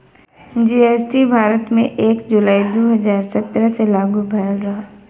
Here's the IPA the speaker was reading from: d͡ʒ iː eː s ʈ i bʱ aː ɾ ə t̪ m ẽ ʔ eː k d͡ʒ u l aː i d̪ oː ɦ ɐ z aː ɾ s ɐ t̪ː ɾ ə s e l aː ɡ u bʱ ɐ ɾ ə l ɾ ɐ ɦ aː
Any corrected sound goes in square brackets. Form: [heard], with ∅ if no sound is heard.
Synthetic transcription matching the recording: d͡ʒ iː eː s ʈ i bʱ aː ɾ ə t̪ m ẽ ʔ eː k d͡ʒ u l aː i d̪ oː ɦ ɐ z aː ɾ s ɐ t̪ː ɾ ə s e l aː ɡ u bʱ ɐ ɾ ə l ɾ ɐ ɦ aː